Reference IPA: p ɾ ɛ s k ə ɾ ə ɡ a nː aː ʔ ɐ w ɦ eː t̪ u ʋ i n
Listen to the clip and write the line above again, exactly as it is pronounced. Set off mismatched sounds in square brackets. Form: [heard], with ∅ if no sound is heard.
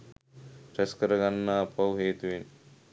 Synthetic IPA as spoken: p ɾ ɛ s k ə ɾ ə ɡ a nː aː [p] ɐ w ɦ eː t̪ u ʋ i n